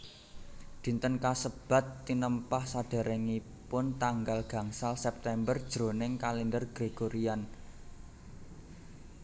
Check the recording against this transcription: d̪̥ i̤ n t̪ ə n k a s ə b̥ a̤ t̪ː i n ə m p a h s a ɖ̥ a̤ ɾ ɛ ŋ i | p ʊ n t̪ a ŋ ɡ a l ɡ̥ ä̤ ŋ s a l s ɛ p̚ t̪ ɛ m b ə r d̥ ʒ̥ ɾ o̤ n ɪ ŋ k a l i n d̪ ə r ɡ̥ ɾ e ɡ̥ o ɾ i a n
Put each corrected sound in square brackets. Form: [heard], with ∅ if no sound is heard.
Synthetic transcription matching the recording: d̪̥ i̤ n t̪ ə n k a s ə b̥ a̤ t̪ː i n ə m p a h s a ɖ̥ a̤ ɾ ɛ ŋ i | p ʊ n t̪ a ŋ ɡ a l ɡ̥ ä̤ ŋ s a l s ɛ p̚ t̪ ɛ m b ə r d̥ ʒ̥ ɾ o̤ n ɪ ŋ k a l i n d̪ ə r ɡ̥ ɾ e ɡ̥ o ɾ i a n